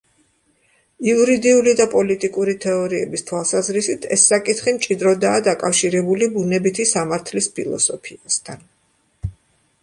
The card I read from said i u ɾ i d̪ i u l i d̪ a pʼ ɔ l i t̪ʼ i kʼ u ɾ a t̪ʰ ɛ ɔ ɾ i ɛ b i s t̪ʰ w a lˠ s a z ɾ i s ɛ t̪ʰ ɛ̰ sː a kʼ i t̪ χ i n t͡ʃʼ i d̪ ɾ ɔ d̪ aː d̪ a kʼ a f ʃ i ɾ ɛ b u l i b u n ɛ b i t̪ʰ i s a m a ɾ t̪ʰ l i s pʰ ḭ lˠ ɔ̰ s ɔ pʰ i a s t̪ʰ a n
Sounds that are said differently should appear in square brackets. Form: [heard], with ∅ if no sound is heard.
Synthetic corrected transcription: i u ɾ i d̪ i u l i d̪ a pʼ ɔ l i t̪ʼ i kʼ u ɾ [i] t̪ʰ ɛ ɔ ɾ i ɛ b i s t̪ʰ w a lˠ s a z ɾ i s [i] t̪ʰ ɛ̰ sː a kʼ i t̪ χ i [m] t͡ʃʼ i d̪ ɾ ɔ d̪ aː d̪ a kʼ a f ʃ i ɾ ɛ b u l i b u n ɛ b i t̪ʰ i s a m a ɾ t̪ʰ l i s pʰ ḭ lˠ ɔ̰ s ɔ pʰ i a s t̪ʰ a n